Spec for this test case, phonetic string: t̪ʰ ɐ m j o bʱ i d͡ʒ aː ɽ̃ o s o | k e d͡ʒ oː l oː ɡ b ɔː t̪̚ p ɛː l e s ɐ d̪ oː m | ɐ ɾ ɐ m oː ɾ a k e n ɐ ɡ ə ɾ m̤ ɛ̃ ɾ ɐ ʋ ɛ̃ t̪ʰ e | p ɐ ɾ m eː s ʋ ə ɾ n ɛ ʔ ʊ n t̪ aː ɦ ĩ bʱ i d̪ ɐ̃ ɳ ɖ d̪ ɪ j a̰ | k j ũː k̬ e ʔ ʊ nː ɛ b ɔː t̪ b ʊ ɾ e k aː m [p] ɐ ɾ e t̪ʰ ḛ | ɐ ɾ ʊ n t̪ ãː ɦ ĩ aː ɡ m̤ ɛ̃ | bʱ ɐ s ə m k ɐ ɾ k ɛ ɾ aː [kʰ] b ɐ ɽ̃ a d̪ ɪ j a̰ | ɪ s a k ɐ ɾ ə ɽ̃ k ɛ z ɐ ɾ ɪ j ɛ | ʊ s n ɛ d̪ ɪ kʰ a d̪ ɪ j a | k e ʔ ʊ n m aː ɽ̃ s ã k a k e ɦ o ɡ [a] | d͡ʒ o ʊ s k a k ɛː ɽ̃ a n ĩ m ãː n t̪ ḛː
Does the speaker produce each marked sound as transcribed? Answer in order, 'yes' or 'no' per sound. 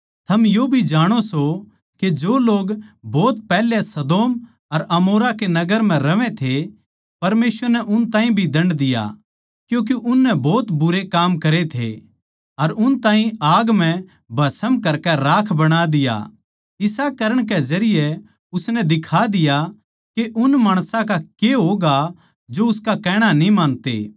no, yes, yes

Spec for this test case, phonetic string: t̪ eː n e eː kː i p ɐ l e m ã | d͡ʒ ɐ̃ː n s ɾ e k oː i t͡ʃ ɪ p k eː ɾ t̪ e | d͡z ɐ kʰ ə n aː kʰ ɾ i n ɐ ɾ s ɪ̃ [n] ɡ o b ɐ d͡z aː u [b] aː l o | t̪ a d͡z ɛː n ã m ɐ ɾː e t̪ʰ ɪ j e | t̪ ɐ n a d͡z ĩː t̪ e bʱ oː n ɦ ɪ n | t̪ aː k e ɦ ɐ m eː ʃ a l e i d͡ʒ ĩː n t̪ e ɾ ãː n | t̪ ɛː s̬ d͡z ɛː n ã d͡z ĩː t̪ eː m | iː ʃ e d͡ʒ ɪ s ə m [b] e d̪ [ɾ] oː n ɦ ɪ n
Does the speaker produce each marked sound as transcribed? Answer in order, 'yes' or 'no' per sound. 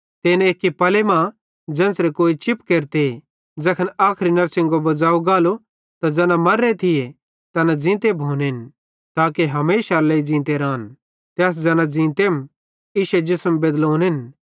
no, no, yes, no

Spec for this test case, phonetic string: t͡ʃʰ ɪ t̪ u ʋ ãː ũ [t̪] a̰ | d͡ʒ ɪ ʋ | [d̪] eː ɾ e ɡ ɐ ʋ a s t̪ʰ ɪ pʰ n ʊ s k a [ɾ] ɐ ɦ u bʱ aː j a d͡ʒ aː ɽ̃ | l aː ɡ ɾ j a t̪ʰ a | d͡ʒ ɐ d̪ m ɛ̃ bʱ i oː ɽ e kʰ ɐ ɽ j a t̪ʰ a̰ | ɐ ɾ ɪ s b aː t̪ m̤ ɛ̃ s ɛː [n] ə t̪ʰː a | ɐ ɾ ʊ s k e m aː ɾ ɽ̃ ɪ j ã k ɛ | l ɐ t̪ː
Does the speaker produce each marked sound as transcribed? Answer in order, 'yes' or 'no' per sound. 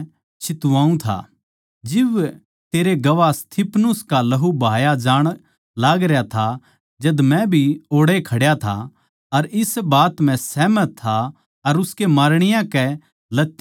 no, no, no, no

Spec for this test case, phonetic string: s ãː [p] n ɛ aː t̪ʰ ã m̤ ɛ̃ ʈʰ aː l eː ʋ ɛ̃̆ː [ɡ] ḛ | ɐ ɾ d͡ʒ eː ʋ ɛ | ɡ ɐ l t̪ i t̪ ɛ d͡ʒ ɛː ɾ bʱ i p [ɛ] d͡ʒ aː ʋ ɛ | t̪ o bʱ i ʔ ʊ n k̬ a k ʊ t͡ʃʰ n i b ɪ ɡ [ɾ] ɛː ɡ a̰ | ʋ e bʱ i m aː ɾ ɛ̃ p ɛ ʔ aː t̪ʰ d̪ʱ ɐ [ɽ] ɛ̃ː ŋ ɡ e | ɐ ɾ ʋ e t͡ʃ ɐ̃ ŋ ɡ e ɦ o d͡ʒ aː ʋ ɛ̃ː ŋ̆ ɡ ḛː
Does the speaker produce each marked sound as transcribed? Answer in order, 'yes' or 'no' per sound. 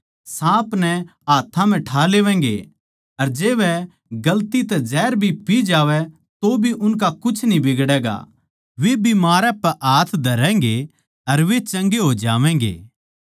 yes, yes, no, no, no

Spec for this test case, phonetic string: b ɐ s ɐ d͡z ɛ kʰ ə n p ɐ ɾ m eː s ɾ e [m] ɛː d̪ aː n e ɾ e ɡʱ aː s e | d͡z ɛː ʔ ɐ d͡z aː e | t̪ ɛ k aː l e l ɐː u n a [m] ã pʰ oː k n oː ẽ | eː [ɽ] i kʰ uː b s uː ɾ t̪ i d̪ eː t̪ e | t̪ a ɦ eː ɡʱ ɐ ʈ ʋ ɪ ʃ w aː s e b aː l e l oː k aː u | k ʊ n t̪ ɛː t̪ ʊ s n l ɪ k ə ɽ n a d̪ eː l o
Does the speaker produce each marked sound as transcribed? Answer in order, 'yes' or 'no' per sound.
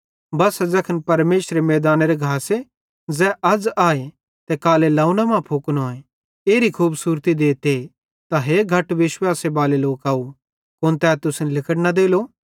yes, yes, no

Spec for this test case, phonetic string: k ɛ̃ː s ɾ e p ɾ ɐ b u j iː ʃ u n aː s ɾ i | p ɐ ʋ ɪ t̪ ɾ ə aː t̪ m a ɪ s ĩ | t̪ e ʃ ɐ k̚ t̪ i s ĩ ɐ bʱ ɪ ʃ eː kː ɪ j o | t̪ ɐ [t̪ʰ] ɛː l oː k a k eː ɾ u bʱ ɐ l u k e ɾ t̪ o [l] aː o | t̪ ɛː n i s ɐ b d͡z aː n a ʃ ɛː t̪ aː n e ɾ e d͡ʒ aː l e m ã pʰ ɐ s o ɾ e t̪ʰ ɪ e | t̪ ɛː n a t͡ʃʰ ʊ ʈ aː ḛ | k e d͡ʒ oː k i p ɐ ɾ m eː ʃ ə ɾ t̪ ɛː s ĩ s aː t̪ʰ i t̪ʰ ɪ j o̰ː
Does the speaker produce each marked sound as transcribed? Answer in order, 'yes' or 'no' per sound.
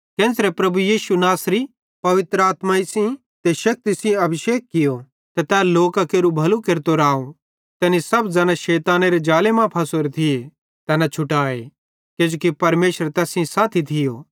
no, no

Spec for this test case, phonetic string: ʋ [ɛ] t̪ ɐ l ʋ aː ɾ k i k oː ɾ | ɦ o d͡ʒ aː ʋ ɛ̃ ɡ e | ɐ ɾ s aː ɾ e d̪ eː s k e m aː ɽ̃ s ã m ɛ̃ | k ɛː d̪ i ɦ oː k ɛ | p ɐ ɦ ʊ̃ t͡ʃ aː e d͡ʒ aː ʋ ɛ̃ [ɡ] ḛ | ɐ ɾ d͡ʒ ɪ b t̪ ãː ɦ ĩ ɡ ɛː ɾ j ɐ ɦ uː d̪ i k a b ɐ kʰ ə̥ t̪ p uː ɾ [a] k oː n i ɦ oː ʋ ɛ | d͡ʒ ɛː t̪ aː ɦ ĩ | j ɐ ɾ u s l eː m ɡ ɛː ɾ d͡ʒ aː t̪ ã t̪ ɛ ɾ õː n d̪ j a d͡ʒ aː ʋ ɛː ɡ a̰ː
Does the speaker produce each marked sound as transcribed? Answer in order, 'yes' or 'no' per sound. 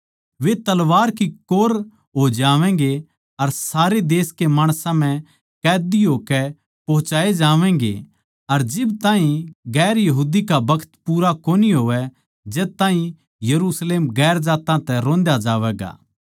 no, yes, yes

